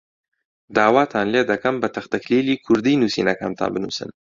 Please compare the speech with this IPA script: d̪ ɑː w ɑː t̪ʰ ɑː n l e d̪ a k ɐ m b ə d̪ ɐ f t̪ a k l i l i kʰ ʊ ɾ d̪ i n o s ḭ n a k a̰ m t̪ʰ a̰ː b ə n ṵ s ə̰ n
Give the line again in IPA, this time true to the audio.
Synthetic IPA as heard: d̪ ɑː w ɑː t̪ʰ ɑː n l e d̪ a k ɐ m b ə t̪ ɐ x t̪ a k l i l i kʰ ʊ ɾ d̪ i n u s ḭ n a k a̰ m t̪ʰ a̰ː b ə n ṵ s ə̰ n